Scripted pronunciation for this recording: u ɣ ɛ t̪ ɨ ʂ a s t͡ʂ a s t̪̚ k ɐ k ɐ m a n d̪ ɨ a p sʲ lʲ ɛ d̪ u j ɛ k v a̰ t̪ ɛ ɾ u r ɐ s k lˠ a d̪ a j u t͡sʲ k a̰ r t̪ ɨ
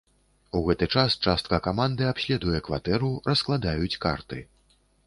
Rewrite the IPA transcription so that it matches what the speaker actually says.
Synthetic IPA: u ɣ ɛ t̪ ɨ t͡ʂ a s t͡ʂ a s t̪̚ k ɐ k a m a n d̪ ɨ a p sʲ lʲ ɛ d̪ u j ɛ k v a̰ t̪ ɛ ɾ u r ɐ s k lˠ a d̪ a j u t͡sʲ k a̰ r t̪ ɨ